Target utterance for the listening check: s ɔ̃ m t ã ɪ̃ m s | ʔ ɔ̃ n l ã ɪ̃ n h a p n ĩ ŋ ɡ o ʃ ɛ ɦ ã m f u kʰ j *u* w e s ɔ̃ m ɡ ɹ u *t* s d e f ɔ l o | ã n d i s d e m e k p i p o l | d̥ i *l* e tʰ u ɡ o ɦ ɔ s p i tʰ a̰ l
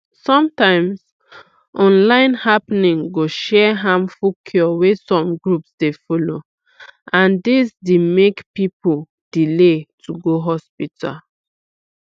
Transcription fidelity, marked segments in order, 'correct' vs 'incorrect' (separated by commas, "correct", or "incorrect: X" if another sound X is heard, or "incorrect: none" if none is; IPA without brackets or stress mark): incorrect: ɔ, incorrect: p, correct